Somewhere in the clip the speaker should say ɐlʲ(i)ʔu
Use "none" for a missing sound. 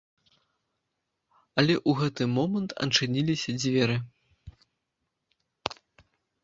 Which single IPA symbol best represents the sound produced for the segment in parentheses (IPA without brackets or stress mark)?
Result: ɛ